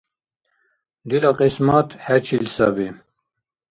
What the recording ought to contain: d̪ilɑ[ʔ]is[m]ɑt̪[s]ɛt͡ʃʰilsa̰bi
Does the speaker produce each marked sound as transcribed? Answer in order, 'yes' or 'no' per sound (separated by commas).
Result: no, yes, no